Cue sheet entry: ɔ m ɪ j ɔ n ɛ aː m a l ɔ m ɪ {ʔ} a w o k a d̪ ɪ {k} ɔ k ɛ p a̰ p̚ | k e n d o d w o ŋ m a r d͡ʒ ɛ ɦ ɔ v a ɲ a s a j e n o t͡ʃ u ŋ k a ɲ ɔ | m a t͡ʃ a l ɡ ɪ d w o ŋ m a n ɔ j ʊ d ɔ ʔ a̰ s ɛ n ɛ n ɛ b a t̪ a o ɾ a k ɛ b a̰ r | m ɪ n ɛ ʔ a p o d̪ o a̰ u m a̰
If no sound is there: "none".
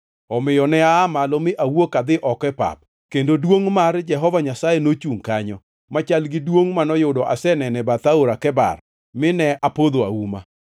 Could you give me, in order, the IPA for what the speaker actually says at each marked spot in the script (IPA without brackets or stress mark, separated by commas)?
ʔ, ʔ